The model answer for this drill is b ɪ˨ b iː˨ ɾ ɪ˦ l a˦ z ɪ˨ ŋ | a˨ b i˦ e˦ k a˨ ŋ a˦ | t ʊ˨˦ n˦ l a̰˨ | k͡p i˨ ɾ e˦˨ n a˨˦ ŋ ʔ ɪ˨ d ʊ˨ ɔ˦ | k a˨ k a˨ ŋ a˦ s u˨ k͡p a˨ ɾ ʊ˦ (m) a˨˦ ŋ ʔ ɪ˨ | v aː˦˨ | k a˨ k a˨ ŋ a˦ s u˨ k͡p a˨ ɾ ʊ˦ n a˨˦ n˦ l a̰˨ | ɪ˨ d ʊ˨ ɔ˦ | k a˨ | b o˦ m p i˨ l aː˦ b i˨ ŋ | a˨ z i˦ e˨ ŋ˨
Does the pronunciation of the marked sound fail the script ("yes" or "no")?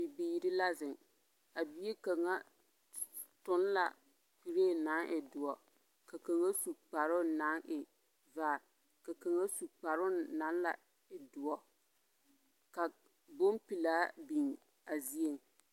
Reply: yes